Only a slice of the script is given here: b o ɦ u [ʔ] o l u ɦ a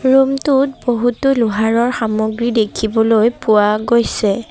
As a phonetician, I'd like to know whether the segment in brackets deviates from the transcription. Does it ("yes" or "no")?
yes